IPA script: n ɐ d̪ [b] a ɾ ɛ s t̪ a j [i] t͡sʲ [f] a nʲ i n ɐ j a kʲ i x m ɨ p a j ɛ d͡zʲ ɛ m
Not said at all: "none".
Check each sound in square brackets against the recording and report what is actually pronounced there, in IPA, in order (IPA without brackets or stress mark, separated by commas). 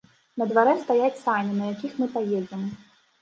v, a, s